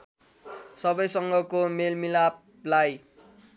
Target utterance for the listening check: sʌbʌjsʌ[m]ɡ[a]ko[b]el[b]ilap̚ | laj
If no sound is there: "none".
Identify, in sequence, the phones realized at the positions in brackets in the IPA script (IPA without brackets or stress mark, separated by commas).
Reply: ŋ, ʌ, m, m